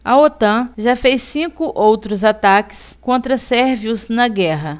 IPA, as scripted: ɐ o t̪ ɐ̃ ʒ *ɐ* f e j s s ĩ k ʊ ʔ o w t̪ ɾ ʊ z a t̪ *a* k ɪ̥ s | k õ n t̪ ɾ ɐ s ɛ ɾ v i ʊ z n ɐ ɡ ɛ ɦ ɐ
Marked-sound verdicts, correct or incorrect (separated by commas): incorrect, correct